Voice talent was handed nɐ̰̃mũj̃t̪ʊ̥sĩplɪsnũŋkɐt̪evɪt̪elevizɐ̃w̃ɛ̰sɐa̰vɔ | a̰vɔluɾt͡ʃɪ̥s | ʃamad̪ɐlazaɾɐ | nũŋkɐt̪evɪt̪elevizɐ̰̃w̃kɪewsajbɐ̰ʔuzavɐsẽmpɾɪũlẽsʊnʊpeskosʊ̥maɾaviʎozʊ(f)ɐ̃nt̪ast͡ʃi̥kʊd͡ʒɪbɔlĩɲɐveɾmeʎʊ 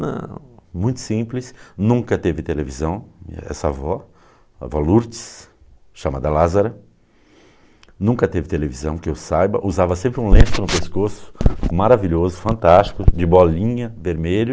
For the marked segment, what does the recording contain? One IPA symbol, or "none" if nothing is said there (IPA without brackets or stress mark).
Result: f